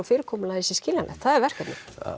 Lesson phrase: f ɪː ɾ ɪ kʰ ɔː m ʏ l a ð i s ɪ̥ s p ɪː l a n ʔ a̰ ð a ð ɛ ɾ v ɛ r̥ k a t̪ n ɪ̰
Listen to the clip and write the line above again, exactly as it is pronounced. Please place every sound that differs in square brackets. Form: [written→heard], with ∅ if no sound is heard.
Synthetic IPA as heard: f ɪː ɾ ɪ kʰ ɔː m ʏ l a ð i s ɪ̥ s [p→c] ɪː l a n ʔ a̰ [ð→θ] a ð ɛ ɾ v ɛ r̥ k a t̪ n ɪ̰